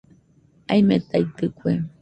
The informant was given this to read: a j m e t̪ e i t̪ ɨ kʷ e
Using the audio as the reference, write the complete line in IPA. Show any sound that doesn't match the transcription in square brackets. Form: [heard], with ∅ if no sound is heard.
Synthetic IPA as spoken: a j m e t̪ [a] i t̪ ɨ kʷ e